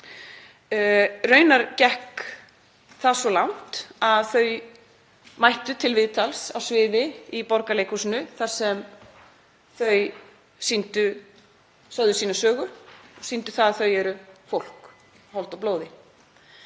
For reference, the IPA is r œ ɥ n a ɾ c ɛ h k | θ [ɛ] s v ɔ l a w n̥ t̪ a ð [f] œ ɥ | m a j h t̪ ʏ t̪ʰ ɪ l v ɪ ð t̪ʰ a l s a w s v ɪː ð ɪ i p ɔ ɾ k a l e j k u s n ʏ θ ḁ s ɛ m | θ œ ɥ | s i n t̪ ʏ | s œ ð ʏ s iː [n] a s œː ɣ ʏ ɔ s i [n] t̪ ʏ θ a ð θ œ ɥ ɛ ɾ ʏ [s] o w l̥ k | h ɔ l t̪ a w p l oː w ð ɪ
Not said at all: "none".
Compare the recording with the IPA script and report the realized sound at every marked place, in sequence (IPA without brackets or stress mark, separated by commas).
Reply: a, θ, n, n, f